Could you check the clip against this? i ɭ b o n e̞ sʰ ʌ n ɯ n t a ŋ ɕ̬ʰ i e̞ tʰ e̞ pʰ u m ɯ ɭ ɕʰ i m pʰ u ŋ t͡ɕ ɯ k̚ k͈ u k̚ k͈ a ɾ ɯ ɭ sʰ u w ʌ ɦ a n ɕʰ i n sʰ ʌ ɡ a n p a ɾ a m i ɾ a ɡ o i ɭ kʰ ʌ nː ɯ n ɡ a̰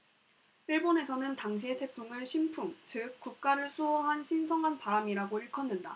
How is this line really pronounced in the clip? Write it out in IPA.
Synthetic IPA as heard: i ɭ b o n e̞ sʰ ʌ n ɯ n t a ŋ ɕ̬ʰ i e̞ tʰ e̞ pʰ u ŋ ɯ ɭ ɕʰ i m pʰ u ŋ t͡ɕ ɯ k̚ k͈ u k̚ k͈ a ɾ ɯ ɭ sʰ u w ʌ ɦ a n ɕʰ i n sʰ ʌ ŋ a n p a ɾ a m i ɾ a ɡ o i ɭ kʰ ʌ nː ɯ n d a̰

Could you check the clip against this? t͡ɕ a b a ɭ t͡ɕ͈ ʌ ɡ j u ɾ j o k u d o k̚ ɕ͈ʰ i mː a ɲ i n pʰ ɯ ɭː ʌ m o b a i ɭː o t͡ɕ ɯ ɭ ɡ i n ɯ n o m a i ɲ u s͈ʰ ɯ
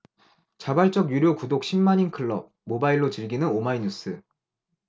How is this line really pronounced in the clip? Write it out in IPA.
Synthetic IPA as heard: t͡ɕ a b a ɭ t͡ɕ͈ ʌ ɡ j u ɾ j o k u d o k̚ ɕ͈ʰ i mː a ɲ i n kʰ ɯ ɭː ʌ m o b a i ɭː o t͡ɕ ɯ ɭ ɡ i n ɯ n o m a i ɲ u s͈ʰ ɯ

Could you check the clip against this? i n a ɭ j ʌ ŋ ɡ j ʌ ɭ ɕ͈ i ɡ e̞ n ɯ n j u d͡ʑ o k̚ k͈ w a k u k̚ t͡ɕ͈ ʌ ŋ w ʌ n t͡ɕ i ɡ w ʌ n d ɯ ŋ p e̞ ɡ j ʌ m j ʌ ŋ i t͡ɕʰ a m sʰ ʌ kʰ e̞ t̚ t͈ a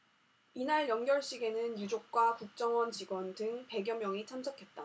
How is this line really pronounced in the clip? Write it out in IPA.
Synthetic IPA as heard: i n a ɭ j ʌ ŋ ɡ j ʌ ɭ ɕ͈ i ɡ e̞ n ɯ n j u d͡ʑ o k̚ k͈ w a k u k̚ t͡ɕ͈ ʌ ŋ w ʌ n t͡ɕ i ɡ w ʌ n d ɯ ŋ p e̞ ɡ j ʌ m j ʌ ŋ i t͡ɕʰ a m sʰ ʌ kʰ e̞ t̚ t͈ a

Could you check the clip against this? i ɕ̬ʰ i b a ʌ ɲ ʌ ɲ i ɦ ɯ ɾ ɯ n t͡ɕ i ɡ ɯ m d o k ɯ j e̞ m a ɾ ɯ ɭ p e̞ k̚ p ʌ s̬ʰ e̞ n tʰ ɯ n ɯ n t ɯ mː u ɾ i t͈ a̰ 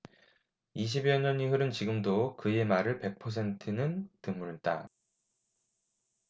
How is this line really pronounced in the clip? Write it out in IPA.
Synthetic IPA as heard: i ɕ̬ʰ i b i ʌ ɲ ʌ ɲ i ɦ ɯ ɾ ɯ n t͡ɕ i ɡ ɯ m d o k ɯ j e̞ m a ɾ ɯ ɭ p e̞ k̚ pʰ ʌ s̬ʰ e̞ n tʰ ɯ n ɯ n t ɯ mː u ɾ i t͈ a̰

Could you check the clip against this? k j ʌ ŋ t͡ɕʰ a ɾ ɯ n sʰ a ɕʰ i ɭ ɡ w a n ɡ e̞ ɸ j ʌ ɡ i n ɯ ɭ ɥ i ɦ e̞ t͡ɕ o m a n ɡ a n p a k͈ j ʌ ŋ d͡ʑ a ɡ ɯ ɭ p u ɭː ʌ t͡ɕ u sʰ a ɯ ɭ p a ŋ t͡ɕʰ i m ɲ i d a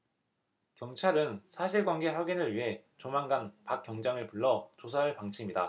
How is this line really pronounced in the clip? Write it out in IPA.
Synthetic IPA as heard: k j ʌ ŋ t͡ɕʰ a ɾ ɯ n sʰ a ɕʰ i ɭ ɡ w a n ɡ e̞ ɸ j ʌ ɡ i n ɯ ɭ ɥ i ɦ e̞ t͡ɕ o m a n ɡ a n p a k͈ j ʌ ŋ d͡ʑ a ŋ ɯ ɭ p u ɭː ʌ t͡ɕ o sʰ a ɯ ɭ p a ŋ t͡ɕʰ i m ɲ i d a

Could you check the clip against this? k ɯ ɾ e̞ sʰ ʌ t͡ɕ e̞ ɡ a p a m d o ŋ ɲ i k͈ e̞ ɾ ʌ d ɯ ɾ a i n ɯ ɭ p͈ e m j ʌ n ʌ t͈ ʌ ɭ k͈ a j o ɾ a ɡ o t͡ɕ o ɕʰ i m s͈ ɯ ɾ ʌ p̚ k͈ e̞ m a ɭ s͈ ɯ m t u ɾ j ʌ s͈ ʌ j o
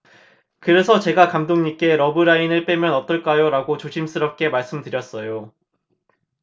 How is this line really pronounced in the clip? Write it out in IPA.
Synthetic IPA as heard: k ɯ ɾ e̞ sʰ ʌ t͡ɕ e̞ ɡ a k a m d o ŋ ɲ i k͈ e̞ ɾ ʌ b ɯ ɾ a i n ɯ ɭ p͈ e m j ʌ n ʌ t͈ ʌ ɭ k͈ a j o ɾ a ɡ o t͡ɕ o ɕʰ i m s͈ ɯ ɾ ʌ p̚ k͈ e̞ m a ɭ s͈ ɯ m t ɯ ɾ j ʌ s͈ ʌ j o

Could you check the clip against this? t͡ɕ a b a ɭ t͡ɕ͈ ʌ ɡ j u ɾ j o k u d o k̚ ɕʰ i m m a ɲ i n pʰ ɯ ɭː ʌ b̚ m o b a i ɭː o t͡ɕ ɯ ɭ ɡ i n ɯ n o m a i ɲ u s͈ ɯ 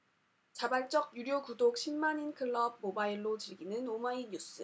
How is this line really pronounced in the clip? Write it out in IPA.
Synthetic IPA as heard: t͡ɕ a b a ɭ t͡ɕ͈ ʌ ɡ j u ɾ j o k u d o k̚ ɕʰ i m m a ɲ i n kʰ ɯ ɭː ʌ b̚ m o b a i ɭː o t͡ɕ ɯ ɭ ɡ i n ɯ n o m a i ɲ u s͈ ɯ

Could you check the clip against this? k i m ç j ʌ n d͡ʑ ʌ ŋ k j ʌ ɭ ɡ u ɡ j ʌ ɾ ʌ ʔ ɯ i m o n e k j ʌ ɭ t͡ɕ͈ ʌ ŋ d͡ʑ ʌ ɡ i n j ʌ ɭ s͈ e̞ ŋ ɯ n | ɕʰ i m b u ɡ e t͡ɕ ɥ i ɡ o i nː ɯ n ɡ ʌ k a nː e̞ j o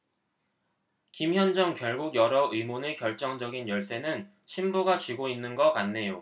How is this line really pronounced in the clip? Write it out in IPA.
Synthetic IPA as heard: k i m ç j ʌ n d͡ʑ ʌ ŋ k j ʌ ɭ ɡ u ɡ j ʌ ɾ ʌ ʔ ɯ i m o n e k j ʌ ɭ t͡ɕ͈ ʌ ŋ d͡ʑ ʌ ɡ i n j ʌ ɭ s͈ e̞ n ɯ n | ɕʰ i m b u ɡ a t͡ɕ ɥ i ɡ o i nː ɯ n ɡ ʌ k a nː e̞ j o

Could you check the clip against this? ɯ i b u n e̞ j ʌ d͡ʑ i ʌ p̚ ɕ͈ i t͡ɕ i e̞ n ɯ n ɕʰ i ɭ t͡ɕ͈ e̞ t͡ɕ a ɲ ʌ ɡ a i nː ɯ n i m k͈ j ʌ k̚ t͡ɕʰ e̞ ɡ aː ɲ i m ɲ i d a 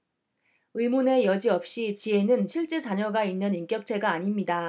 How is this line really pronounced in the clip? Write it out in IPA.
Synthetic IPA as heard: ɯ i m u n e̞ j ʌ d͡ʑ i ʌ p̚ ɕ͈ i t͡ɕ i e̞ n ɯ n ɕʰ i ɭ t͡ɕ͈ e̞ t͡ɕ a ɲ ʌ ɡ a i nː ɯ n i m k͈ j ʌ k̚ t͡ɕʰ e̞ ɡ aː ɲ i m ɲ i d a

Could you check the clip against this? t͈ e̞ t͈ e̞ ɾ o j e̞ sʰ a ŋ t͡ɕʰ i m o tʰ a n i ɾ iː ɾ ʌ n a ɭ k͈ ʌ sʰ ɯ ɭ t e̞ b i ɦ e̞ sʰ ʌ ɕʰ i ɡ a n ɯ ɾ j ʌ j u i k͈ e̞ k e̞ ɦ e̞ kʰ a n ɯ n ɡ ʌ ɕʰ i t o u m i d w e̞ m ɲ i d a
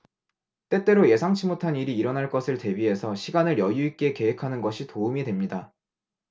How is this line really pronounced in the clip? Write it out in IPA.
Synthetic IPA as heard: t͈ e̞ t͈ e̞ ɾ o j e̞ sʰ a ŋ t͡ɕʰ i m o tʰ a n i ɾ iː ɾ ʌ n a ɭ k͈ ʌ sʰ ɯ ɭ t e̞ b i ɦ e̞ sʰ ʌ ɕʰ i ɡ a n ɯ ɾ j ʌ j u i k͈ e̞ k e̞ ɦ e̞ kʰ a n ɯ n ɡ ʌ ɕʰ i t o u m i d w e̞ m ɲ i d a

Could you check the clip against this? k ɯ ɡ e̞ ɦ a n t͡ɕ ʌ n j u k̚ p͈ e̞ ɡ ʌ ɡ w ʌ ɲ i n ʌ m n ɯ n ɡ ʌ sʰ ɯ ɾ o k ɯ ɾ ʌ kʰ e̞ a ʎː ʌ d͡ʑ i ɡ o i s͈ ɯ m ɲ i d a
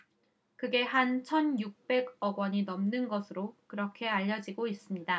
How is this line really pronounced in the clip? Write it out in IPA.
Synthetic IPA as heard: k ɯ ɡ e̞ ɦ a n t͡ɕʰ ʌ n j u k̚ p͈ e̞ ɡ ʌ ɡ w ʌ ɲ i n ʌ m n ɯ n ɡ ʌ sʰ ɯ ɾ o k ɯ ɾ ʌ kʰ e̞ a ʎː ʌ d͡ʑ i ɡ o i s͈ ɯ m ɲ i d a

